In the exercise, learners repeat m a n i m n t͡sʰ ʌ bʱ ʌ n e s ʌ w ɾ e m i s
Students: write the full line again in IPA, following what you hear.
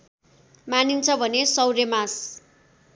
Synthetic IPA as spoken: m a n i n t͡sʰ ʌ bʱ ʌ n e s ʌ w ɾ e m a s